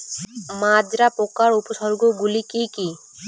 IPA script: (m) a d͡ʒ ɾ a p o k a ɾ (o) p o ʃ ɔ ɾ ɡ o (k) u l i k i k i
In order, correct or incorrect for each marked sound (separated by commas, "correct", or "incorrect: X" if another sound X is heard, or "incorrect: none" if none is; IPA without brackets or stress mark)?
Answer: correct, incorrect: u, incorrect: ɡ